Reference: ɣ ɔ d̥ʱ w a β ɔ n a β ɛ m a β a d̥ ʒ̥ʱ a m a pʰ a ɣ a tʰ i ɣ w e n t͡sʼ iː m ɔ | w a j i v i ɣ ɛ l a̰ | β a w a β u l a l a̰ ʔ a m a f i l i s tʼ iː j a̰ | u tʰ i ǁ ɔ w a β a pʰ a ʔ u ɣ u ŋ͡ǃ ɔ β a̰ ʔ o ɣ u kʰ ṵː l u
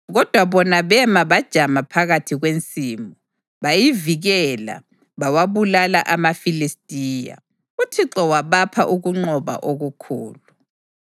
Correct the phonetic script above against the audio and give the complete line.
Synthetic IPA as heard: ɣ ɔ d̥ʱ w a β ɔ n a β ɛ m a β a d̥ ʒ̥ʱ a m a pʰ a ɣ a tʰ i ɣ w e n t͡sʼ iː m ɔ | β a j i v i ɣ ɛ l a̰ | β a w a β u l a l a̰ ʔ a m a f i l i s tʼ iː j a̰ | u tʰ i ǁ ɔ w a β a pʰ a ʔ u ɣ u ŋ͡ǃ ɔ β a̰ ʔ o ɣ u kʰ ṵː l u